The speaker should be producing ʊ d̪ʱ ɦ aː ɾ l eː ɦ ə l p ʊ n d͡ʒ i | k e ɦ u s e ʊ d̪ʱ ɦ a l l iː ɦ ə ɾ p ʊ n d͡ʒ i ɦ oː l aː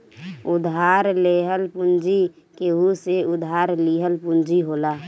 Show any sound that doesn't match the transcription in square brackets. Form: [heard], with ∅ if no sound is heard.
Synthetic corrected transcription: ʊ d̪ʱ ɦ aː ɾ l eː ɦ ə l p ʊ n d͡ʒ i | k e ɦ u s e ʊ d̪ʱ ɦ a [ɾ] l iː ɦ ə [l] p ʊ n d͡ʒ i ɦ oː l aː